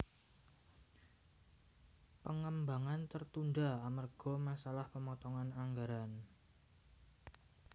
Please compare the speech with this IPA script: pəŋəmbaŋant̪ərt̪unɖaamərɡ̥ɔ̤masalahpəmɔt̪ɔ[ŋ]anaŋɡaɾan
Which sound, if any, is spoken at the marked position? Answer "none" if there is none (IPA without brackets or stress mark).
ŋ